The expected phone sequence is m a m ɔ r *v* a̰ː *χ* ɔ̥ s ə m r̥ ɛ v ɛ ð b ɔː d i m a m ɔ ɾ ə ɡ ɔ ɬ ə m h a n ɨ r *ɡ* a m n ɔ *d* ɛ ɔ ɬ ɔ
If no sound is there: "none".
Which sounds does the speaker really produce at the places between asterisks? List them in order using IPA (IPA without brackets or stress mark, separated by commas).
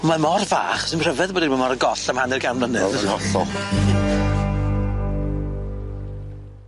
v, χ, ɡ, n